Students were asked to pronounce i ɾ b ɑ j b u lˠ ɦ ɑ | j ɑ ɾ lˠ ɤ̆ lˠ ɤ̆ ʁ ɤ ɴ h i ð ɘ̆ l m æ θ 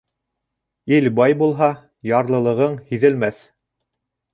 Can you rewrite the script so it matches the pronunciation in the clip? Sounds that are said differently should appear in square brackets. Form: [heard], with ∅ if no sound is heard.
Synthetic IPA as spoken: i [l] b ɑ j b u lˠ ɦ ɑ | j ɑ ɾ lˠ ɤ̆ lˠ ɤ̆ ʁ ɤ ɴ h i ð ɘ̆ l m æ θ

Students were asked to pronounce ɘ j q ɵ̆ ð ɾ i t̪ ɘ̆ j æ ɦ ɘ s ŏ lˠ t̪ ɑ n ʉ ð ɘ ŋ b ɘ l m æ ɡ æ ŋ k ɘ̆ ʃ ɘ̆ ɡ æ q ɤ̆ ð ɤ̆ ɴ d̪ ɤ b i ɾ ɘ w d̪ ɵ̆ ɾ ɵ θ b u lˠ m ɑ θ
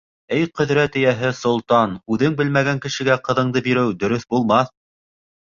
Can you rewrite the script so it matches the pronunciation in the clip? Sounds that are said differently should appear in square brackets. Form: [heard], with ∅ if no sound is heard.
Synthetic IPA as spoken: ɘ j q ɵ̆ ð ɾ [æ] t̪ ɘ̆ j æ ɦ ɘ s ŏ lˠ t̪ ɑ n ʉ ð ɘ ŋ b ɘ l m æ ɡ æ ŋ k ɘ̆ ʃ ɘ̆ ɡ æ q ɤ̆ ð ɤ̆ ɴ d̪ ɤ b i ɾ ɘ w d̪ ɵ̆ ɾ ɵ θ b u lˠ m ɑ θ

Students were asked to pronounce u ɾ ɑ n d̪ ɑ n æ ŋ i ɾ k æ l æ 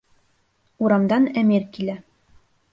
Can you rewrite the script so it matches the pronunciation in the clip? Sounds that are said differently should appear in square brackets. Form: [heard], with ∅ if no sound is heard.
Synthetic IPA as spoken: u ɾ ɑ [m] d̪ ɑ n æ [m] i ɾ k [i] l æ

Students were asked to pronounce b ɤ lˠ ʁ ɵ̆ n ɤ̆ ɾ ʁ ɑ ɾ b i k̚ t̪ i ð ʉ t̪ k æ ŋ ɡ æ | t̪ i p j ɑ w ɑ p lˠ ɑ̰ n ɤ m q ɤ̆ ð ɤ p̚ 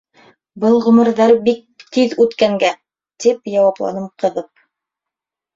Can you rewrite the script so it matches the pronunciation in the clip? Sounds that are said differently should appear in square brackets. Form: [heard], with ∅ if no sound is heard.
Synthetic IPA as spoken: b ɤ lˠ ʁ ɵ̆ [m] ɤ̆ ɾ [ð] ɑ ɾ b i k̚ t̪ i ð ʉ t̪ k æ ŋ ɡ æ | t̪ i p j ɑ w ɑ p lˠ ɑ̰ n ɤ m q ɤ̆ ð ɤ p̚

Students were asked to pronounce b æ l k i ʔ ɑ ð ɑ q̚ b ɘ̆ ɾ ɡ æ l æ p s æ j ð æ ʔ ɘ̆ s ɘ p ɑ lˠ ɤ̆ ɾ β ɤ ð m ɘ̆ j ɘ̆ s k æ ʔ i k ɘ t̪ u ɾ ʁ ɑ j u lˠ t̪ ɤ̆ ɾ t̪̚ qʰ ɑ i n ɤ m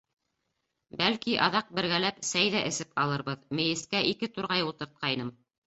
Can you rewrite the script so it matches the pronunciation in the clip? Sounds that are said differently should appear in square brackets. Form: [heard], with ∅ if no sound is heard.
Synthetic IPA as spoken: b æ l k i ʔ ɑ ð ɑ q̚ b ɘ̆ ɾ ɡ æ l æ p s æ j ð æ ʔ ɘ̆ s ɘ p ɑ lˠ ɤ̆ ɾ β ɤ ð m ɘ̆ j ɘ̆ s k æ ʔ i k ɘ t̪ u ɾ ʁ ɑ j u lˠ t̪ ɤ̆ ɾ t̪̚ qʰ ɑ [j] n ɤ m

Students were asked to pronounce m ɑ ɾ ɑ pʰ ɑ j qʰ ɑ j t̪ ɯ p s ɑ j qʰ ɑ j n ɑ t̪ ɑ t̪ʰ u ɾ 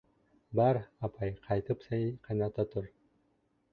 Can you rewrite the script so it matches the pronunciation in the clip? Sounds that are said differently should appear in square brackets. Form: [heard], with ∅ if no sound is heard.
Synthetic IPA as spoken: [b] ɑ ɾ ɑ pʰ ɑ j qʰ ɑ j t̪ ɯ p s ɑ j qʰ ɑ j n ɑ t̪ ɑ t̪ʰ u ɾ

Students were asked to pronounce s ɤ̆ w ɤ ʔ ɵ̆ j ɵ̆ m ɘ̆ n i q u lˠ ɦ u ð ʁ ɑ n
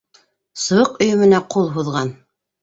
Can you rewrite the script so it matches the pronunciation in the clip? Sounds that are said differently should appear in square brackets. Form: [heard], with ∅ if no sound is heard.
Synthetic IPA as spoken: s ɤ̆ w ɤ [q] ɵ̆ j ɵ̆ m ɘ̆ n [æ] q u lˠ ɦ u ð ʁ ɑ n

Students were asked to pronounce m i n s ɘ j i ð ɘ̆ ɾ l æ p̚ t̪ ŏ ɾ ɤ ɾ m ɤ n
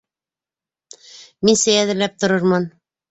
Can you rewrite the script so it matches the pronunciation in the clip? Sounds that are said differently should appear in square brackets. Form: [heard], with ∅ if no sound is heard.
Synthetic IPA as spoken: m i n s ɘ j [æ] ð ɘ̆ ɾ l æ p̚ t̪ ŏ ɾ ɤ ɾ m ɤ n

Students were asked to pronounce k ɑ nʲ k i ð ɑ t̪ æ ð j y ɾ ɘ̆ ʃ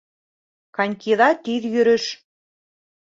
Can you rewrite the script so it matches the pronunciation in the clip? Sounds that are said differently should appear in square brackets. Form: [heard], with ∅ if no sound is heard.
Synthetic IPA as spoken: k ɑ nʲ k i ð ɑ t̪ [i] ð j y ɾ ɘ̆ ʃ

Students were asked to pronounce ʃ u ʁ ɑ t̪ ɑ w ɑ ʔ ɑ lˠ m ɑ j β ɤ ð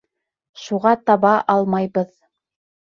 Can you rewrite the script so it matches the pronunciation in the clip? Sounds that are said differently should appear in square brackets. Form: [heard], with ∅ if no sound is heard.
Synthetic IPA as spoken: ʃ u ʁ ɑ t̪ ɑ [β] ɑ ʔ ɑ lˠ m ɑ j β ɤ ð

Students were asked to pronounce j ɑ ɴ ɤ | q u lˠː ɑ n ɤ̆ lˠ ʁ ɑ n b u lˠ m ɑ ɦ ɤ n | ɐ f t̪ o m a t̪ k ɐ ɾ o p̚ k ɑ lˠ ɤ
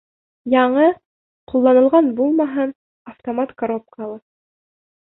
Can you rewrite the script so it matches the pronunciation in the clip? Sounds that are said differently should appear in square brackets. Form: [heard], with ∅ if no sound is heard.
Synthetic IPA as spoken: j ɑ ɴ ɤ | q u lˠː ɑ n ɤ̆ lˠ ʁ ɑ n b u lˠ m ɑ ɦ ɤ n | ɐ f t̪ o m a t̪ k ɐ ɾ o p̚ k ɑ lˠ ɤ

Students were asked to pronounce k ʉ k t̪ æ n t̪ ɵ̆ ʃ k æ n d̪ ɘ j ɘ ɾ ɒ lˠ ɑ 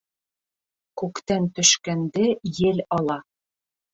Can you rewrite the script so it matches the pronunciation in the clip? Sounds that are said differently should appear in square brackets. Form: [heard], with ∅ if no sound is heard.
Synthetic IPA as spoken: k ʉ k t̪ æ n t̪ ɵ̆ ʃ k æ n d̪ ɘ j ɘ [l] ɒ lˠ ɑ

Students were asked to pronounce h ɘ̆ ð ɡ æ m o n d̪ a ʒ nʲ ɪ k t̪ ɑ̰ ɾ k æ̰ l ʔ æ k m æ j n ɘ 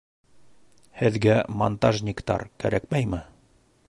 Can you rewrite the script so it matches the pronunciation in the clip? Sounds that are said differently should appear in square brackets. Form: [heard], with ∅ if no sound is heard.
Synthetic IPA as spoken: h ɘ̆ ð ɡ æ m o n [t̪] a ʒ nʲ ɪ k t̪ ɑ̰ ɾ k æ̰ [ɾ] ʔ æ k m æ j [m] ɘ

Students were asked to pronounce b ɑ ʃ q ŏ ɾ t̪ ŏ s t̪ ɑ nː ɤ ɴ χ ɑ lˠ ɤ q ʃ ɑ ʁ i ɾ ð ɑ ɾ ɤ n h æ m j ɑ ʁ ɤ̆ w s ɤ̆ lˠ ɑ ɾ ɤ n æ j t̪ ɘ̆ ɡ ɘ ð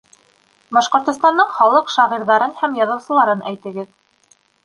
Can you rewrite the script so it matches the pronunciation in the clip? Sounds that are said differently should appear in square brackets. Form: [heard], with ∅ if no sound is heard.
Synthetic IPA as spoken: b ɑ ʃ q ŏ ɾ t̪ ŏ s t̪ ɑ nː ɤ ɴ χ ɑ lˠ ɤ q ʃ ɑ ʁ i ɾ ð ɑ ɾ ɤ n h æ m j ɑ [ð] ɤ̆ w s ɤ̆ lˠ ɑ ɾ ɤ n æ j t̪ ɘ̆ ɡ ɘ ð

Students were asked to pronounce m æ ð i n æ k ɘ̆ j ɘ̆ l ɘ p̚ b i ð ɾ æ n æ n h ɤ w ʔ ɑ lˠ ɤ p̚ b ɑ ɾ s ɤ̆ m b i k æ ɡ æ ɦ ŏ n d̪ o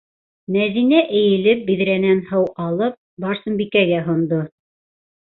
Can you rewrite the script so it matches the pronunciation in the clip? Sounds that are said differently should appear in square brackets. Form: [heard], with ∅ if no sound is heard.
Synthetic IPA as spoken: m æ ð i n æ [ʔ] ɘ̆ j ɘ̆ l ɘ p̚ b i ð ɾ æ n æ n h ɤ w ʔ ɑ lˠ ɤ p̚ b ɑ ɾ s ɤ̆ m b i k æ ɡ æ ɦ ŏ n d̪ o

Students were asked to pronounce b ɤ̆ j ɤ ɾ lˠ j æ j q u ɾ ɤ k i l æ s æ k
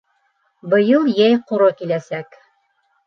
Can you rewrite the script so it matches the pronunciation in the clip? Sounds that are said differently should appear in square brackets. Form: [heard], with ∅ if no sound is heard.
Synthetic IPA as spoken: b ɤ̆ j ɤ [∅] lˠ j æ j q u ɾ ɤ k i l æ s æ k

